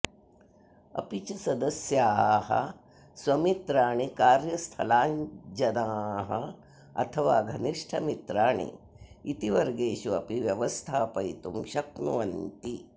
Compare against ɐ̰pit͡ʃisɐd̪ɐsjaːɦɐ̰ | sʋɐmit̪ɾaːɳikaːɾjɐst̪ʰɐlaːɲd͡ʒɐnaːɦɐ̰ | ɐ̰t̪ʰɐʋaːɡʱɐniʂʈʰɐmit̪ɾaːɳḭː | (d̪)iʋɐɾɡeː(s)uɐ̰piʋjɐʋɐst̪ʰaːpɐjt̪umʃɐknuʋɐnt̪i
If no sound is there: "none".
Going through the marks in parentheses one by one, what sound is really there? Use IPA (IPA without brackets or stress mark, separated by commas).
t̪, ʃ